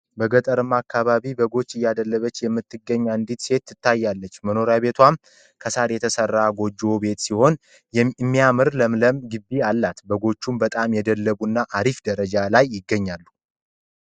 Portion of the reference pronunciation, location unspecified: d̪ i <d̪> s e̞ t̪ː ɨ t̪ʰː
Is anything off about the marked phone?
yes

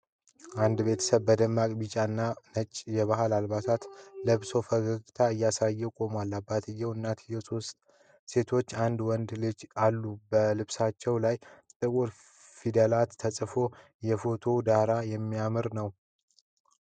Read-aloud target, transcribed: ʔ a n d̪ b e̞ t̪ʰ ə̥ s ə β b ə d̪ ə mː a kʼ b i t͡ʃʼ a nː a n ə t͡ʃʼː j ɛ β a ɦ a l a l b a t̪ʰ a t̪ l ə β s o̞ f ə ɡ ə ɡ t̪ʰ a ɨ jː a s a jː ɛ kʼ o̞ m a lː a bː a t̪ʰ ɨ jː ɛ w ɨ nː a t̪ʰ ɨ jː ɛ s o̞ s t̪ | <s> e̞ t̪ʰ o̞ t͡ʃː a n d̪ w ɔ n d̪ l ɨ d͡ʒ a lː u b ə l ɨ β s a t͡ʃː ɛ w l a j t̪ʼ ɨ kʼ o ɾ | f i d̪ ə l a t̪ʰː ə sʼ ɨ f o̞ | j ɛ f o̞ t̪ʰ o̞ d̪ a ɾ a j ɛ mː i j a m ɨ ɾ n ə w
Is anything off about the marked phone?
no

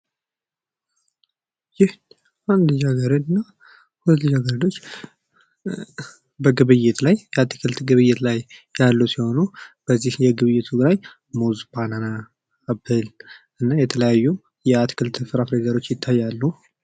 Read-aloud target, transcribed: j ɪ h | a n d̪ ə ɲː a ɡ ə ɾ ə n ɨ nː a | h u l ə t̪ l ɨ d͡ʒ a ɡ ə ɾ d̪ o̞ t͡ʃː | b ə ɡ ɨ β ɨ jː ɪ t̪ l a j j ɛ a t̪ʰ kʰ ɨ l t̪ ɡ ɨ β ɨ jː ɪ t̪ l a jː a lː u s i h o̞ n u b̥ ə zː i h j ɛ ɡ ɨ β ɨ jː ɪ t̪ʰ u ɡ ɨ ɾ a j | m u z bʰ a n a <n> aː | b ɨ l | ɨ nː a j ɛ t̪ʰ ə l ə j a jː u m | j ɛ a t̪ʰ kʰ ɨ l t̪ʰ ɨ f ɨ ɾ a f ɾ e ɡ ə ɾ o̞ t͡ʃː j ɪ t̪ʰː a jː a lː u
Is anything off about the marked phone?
no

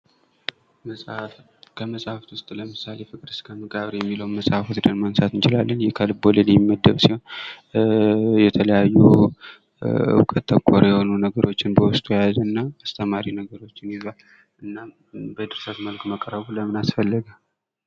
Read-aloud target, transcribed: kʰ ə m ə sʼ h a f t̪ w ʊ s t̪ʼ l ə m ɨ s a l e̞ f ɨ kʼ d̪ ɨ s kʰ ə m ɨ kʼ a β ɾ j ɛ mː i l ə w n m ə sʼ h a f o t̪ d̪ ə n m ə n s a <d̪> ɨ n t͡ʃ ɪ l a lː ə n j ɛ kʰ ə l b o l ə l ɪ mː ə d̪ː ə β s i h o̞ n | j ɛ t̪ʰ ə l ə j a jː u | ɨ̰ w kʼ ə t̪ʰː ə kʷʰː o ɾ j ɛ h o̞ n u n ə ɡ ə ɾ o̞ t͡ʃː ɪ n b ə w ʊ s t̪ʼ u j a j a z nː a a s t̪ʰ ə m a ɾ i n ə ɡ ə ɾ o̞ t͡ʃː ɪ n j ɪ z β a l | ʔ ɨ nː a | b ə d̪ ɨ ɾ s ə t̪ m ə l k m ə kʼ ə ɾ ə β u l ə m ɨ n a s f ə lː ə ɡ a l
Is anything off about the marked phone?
yes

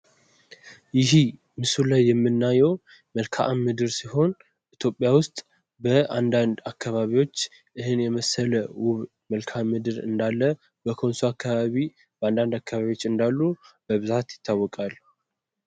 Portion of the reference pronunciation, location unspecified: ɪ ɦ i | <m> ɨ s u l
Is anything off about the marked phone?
no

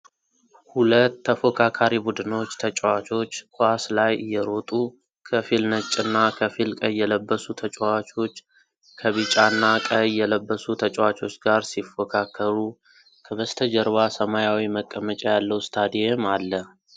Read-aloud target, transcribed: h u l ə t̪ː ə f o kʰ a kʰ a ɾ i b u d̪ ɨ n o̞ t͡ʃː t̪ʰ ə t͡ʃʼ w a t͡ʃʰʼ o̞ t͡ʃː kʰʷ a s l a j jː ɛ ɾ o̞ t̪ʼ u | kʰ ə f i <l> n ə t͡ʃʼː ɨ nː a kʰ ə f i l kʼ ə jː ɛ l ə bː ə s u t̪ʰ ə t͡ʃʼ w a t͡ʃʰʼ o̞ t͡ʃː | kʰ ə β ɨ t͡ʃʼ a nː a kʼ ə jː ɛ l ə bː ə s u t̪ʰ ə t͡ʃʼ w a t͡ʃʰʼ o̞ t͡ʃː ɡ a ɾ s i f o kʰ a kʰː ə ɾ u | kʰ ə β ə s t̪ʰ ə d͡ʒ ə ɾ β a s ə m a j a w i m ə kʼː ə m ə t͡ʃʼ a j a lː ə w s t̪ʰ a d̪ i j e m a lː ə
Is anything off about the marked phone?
no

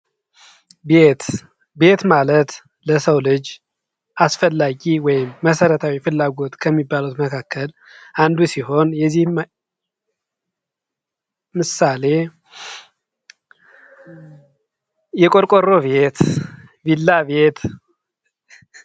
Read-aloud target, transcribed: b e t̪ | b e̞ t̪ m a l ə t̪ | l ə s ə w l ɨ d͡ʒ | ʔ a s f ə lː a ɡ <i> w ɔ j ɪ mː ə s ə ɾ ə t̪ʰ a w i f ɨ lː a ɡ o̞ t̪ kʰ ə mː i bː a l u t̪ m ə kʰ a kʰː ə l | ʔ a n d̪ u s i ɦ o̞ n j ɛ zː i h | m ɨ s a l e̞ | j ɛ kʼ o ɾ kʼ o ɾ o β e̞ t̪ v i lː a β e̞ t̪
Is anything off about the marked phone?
no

